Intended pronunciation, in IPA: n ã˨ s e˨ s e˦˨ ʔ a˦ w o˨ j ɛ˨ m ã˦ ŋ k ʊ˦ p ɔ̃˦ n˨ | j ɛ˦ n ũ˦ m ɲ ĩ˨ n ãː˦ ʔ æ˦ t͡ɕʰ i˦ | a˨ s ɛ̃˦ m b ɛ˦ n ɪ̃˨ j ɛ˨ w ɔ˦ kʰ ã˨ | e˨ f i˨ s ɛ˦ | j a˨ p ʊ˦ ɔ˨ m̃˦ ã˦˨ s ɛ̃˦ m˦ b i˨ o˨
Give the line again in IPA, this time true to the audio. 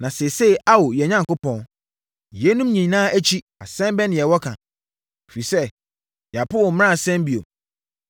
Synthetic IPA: n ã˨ s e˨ s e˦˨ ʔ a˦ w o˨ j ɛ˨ ɲ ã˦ ŋ k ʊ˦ p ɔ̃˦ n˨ | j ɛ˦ n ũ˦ m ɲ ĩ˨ n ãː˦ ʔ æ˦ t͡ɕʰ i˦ | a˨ s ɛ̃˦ m b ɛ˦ n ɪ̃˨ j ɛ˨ w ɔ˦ kʰ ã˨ | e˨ f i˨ s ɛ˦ | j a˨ p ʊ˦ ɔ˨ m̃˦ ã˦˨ s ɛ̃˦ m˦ b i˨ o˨